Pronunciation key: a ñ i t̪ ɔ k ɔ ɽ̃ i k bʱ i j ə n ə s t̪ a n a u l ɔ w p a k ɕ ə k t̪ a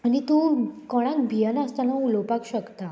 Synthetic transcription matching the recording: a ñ i t̪ u k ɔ ɽ̃ a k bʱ i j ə n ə s t̪ a n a u l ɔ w p a k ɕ ə k t̪ a